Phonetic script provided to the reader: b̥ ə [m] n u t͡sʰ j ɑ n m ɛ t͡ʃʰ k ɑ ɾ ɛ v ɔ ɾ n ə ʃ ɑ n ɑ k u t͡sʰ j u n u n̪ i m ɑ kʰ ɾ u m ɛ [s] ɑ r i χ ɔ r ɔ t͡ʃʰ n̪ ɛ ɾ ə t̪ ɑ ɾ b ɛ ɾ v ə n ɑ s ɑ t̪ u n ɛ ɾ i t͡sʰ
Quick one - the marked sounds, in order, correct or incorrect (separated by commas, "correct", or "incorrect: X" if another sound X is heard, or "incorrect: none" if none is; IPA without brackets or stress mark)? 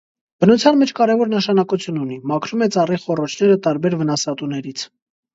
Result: incorrect: none, incorrect: t͡s